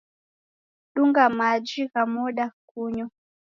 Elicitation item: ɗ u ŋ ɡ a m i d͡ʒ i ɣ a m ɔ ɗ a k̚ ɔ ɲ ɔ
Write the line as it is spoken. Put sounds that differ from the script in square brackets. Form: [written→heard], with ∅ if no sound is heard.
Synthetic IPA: ɗ u ŋ ɡ a m [i→a] d͡ʒ i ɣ a m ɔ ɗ a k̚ [ɔ→u] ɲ ɔ